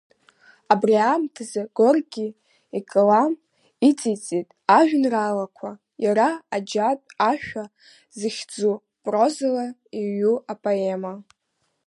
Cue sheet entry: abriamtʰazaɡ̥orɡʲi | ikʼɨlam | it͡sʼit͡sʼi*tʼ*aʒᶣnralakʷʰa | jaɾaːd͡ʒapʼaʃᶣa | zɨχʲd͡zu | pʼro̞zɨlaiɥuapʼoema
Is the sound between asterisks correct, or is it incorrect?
correct